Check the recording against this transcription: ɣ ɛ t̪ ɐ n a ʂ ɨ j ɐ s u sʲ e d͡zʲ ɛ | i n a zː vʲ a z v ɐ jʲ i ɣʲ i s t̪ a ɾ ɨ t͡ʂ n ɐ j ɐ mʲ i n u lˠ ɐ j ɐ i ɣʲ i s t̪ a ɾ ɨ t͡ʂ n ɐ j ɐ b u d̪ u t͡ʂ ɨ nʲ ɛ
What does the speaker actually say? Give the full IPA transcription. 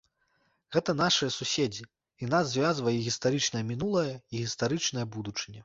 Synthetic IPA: ɣ ɛ t̪ ɐ n a ʂ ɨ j ɐ s u sʲ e d͡zʲ i | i n a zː vʲ a z v ɐ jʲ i ɣʲ i s t̪ a ɾ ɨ t͡ʂ n ɐ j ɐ mʲ i n u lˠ ɐ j ɐ i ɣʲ i s t̪ a ɾ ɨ t͡ʂ n ɐ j ɐ b u d̪ u t͡ʂ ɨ nʲ ɛ